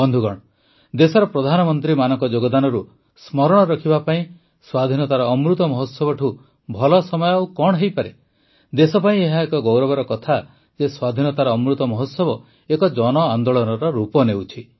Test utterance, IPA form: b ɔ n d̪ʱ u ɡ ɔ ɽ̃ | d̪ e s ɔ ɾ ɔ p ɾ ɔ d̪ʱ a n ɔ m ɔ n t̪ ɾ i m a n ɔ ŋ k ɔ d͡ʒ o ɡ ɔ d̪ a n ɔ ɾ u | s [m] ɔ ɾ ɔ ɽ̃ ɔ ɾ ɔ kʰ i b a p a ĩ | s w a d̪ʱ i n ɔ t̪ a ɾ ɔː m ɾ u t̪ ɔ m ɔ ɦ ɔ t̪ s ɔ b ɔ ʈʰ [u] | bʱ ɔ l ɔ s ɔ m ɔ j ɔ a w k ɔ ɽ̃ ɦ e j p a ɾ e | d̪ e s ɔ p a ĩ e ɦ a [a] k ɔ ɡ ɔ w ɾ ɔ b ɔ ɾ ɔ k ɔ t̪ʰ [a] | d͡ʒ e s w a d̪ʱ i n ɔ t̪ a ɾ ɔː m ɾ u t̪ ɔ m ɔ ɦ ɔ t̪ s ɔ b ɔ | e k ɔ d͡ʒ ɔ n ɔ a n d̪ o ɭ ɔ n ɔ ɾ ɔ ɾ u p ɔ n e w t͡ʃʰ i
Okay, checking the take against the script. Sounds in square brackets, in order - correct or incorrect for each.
correct, correct, incorrect: e, correct

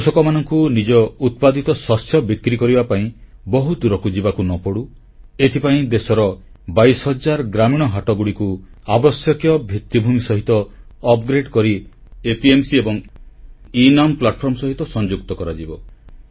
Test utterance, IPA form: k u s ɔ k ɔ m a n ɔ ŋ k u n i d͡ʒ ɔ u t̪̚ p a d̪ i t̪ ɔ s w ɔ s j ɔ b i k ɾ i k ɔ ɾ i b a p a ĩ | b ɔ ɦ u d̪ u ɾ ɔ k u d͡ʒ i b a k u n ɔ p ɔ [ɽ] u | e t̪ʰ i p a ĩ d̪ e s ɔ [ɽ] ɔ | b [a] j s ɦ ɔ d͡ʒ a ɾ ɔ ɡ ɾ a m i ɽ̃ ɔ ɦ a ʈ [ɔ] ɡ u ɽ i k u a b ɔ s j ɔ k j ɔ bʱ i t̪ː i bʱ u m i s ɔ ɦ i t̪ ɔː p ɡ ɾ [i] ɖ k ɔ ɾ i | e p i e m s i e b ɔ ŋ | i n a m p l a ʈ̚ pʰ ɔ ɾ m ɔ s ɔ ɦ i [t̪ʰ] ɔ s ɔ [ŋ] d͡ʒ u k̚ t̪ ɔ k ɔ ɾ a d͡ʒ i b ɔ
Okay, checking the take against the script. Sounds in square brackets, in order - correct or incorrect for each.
correct, incorrect: ɾ, correct, correct, incorrect: e, incorrect: t̪, incorrect: n

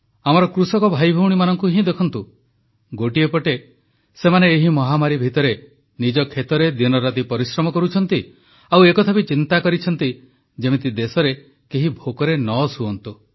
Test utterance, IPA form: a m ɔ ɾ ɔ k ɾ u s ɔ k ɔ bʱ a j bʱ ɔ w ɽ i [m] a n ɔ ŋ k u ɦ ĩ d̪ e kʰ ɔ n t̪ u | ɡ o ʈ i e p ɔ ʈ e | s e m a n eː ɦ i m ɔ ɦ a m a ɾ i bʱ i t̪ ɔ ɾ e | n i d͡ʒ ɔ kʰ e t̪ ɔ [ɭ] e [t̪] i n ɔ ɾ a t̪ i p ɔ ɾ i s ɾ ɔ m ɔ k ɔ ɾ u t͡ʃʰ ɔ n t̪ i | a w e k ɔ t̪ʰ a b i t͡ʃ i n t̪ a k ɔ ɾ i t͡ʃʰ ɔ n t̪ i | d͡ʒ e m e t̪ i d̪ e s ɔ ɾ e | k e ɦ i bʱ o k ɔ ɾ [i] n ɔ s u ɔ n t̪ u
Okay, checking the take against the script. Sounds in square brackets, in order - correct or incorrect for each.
correct, incorrect: ɾ, incorrect: d̪, incorrect: e

